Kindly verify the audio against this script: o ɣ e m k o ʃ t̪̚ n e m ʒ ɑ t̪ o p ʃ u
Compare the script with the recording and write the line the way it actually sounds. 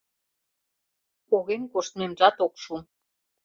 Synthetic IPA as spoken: o ɣ e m k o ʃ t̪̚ m e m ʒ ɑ t̪ o k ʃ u

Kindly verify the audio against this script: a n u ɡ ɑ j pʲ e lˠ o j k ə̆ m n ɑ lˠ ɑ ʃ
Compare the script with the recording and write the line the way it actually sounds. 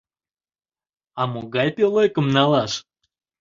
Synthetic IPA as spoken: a m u ɡ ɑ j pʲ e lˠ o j k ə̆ m n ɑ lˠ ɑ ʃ

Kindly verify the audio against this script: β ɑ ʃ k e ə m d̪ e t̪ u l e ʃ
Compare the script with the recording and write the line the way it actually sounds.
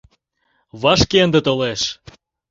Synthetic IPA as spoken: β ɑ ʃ k e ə n d̪ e t̪ o l e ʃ

